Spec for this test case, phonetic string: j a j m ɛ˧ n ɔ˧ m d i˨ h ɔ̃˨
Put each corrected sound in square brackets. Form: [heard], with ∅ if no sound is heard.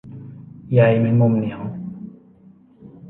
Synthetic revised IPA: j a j m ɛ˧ [m] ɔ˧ m [n] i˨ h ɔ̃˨